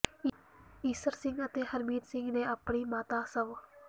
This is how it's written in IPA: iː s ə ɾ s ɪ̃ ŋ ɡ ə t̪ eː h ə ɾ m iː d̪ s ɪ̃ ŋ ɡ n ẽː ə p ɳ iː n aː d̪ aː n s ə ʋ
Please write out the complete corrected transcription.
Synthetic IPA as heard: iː s ə ɾ s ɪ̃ ŋ ɡ ə t̪ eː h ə ɾ m iː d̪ s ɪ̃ ŋ ɡ n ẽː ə p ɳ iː m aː t̪ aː s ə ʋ